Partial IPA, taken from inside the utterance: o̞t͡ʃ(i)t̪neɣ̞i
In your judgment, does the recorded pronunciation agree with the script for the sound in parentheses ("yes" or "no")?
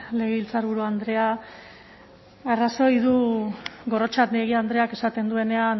no